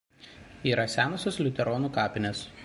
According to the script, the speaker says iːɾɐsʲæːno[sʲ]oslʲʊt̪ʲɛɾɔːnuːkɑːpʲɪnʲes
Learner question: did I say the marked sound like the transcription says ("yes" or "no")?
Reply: yes